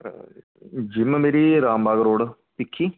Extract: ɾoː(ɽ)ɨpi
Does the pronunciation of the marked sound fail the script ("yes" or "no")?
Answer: no